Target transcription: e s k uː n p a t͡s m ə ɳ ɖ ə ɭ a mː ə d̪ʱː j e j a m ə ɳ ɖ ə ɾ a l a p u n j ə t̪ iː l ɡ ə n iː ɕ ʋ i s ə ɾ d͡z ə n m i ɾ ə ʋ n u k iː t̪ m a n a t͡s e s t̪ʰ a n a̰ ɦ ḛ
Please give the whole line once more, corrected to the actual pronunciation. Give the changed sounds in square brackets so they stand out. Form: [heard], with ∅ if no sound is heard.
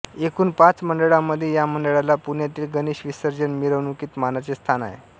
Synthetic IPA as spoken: e [∅] k uː n p a t͡s m ə ɳ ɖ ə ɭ a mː ə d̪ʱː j e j a m ə ɳ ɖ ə [ɭ] a l a p u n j [a] t̪ iː l ɡ ə n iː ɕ ʋ i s ə ɾ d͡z ə n m i ɾ ə ʋ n u k iː t̪ m a n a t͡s e s t̪ʰ a n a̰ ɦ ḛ